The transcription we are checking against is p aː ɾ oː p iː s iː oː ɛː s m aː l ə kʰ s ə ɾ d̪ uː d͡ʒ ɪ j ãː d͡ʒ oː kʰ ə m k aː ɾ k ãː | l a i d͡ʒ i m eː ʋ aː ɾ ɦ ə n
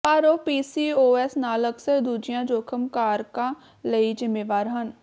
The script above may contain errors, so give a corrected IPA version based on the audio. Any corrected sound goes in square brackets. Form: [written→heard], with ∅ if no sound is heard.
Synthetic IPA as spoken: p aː ɾ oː p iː s iː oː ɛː s [m→n] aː l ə [kʰ→k] s ə ɾ d̪ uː d͡ʒ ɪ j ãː d͡ʒ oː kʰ ə m k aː ɾ k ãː | l [a→ə] i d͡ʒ [i→ɪ] m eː ʋ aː ɾ ɦ ə n

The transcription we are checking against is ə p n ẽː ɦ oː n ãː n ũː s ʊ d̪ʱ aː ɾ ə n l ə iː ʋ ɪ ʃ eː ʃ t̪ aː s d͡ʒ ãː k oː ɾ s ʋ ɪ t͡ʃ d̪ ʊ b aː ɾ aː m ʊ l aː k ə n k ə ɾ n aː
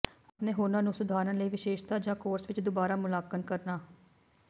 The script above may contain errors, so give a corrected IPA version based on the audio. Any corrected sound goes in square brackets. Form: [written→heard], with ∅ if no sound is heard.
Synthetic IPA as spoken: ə p n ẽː ɦ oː n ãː n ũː s ʊ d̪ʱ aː ɾ ə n l ə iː ʋ ɪ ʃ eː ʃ t̪ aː [s→∅] d͡ʒ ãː k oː ɾ s ʋ ɪ t͡ʃ d̪ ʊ b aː ɾ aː m ʊ l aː k ə n k ə ɾ n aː

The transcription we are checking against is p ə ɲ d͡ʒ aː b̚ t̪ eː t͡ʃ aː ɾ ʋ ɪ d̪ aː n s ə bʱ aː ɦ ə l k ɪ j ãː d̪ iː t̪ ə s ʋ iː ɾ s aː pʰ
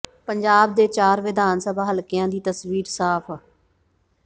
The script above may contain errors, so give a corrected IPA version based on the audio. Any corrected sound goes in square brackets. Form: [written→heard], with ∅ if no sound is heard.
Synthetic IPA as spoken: p ə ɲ d͡ʒ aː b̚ [t̪→d̪] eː t͡ʃ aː ɾ ʋ ɪ d̪ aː n s ə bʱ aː ɦ ə l k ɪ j ãː d̪ iː t̪ ə s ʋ iː ɾ s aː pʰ

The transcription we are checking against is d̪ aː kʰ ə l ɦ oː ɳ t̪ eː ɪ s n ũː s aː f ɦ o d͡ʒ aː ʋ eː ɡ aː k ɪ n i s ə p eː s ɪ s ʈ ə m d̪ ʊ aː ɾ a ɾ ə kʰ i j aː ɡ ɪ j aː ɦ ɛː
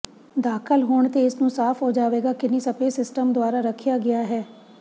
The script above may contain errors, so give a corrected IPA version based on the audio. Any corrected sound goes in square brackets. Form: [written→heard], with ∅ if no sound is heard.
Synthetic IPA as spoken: d̪ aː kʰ ə l ɦ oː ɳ t̪ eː ɪ s n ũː s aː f ɦ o d͡ʒ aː ʋ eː ɡ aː k ɪ n i s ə p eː s ɪ s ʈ ə m d̪ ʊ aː ɾ a ɾ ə kʰ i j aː ɡ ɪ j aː ɦ ɛː

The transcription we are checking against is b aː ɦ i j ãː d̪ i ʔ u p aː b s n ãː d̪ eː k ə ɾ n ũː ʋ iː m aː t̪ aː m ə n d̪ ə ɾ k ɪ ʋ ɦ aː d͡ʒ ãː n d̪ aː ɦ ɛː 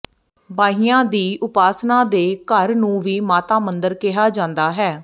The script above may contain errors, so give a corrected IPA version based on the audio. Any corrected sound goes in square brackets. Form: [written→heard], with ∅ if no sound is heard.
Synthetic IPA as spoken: b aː ɦ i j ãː d̪ [i→iː] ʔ [u→ʊ] p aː [b→∅] s n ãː d̪ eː k ə ɾ n ũː ʋ iː m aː t̪ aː m ə n d̪ ə ɾ k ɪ [ʋ→∅] ɦ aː d͡ʒ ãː n d̪ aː ɦ ɛː

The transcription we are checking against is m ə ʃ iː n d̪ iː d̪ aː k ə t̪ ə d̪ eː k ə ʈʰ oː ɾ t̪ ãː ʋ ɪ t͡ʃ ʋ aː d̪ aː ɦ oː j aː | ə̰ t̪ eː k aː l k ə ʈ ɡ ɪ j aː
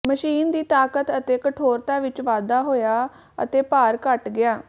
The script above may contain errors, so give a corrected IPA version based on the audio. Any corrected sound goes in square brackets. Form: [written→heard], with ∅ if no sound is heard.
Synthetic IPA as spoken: m ə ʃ iː n d̪ iː [d̪→t̪] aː k ə t̪ ə [d̪→t̪] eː k ə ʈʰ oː ɾ t̪ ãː ʋ ɪ t͡ʃ ʋ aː d̪ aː ɦ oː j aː | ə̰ t̪ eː [k→p] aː [l→ɾ] k ə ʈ ɡ ɪ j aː

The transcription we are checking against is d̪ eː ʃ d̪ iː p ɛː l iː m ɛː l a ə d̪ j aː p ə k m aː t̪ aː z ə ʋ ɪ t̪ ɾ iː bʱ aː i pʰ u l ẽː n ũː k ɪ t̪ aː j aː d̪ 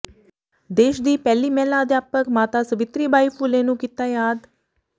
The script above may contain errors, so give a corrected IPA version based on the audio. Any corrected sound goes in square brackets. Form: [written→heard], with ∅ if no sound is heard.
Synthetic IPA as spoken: d̪ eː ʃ d̪ iː p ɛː l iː m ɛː l a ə d̪ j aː p ə k m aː t̪ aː [z→s] ə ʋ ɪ t̪ ɾ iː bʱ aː i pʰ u l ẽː n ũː k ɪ t̪ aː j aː d̪

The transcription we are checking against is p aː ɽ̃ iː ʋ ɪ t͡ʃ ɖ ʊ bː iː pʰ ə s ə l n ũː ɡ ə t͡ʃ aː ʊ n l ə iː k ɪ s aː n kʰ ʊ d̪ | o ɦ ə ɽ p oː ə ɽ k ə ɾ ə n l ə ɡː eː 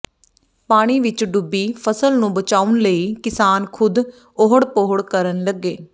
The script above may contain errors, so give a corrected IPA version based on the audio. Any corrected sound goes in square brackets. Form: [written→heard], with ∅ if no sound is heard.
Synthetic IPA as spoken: p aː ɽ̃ iː ʋ ɪ t͡ʃ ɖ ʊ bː iː pʰ ə s ə l n ũː [ɡ→b] ə t͡ʃ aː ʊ n l ə iː k ɪ s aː n kʰ ʊ d̪ | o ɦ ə ɽ p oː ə ɽ k ə ɾ ə n l ə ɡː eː

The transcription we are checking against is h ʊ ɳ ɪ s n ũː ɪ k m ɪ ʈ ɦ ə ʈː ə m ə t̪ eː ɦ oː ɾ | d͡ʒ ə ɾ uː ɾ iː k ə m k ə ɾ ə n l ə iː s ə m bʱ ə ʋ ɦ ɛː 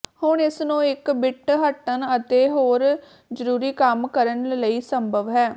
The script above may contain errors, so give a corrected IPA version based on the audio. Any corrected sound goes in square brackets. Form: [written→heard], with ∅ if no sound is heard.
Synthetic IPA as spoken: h ʊ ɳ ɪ s n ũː ɪ k [m→b] ɪ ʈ ɦ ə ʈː ə [m→n] ə t̪ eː ɦ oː ɾ | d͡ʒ ə ɾ uː ɾ iː k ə m k ə ɾ ə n l ə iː s ə m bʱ ə ʋ ɦ ɛː

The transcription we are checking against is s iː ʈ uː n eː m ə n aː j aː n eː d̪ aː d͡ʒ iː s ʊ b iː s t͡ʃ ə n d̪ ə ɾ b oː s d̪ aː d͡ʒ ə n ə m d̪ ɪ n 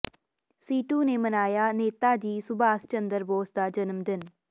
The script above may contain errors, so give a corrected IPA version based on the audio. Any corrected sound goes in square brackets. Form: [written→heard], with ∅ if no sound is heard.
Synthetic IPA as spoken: s iː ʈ uː n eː m ə n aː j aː n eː [d̪→t̪] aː d͡ʒ iː s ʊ b [iː→aː] s t͡ʃ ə n d̪ ə ɾ b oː s d̪ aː d͡ʒ ə n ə m d̪ ɪ n

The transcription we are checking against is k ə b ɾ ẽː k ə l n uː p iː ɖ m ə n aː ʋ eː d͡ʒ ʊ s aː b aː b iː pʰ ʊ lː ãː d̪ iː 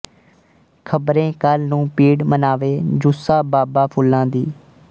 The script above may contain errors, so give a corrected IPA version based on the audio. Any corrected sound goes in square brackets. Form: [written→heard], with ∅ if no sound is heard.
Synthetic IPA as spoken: [k→kʰ] ə b ɾ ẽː k ə l n [uː→ũː] p iː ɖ m ə n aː ʋ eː d͡ʒ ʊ s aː b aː b [iː→aː] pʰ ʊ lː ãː d̪ iː

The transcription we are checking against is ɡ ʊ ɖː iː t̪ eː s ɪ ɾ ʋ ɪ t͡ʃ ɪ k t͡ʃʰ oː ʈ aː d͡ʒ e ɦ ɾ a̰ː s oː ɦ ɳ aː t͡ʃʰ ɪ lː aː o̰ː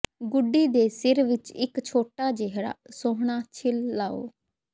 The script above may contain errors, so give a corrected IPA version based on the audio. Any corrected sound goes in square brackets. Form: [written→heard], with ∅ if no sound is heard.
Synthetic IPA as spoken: ɡ ʊ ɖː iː [t̪→d̪] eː s ɪ ɾ ʋ ɪ t͡ʃ ɪ k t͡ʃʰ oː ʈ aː d͡ʒ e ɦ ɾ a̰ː s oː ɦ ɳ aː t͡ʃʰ ɪ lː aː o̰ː

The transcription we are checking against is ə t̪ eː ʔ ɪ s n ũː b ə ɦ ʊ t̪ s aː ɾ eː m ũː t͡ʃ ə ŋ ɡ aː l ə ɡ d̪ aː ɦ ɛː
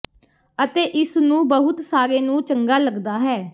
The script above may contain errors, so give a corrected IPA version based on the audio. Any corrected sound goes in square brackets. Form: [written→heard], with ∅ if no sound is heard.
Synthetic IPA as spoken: ə t̪ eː ʔ ɪ s n ũː b ə ɦ ʊ t̪ s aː ɾ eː [m→n] ũː t͡ʃ ə ŋ ɡ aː l ə ɡ d̪ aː ɦ ɛː

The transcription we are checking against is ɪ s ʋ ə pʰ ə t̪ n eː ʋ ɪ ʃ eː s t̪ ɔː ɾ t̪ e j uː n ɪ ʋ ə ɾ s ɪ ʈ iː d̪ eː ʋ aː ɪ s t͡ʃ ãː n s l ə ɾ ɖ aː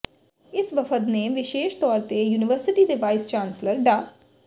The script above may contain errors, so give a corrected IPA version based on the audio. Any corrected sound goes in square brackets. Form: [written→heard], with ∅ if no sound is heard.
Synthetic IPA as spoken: ɪ s ʋ ə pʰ ə t̪ n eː ʋ ɪ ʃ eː [s→ʃ] t̪ ɔː ɾ t̪ e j uː n ɪ ʋ ə ɾ s ɪ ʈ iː d̪ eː ʋ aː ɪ s t͡ʃ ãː n s l ə ɾ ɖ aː

